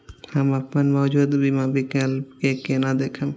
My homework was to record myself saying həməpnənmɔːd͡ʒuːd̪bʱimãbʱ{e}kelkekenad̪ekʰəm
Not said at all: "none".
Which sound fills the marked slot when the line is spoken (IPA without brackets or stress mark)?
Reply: i